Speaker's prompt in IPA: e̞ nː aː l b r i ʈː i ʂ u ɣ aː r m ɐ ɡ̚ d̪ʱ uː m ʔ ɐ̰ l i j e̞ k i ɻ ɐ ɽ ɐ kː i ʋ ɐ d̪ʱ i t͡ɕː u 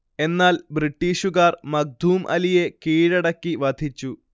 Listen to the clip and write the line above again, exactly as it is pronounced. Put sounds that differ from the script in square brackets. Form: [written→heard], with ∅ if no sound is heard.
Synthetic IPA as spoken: e̞ nː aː l b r i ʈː [i→iː] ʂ u ɣ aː r m ɐ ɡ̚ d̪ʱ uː m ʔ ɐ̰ l i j e̞ k [i→iː] ɻ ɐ ɽ ɐ kː i ʋ ɐ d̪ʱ i t͡ɕː u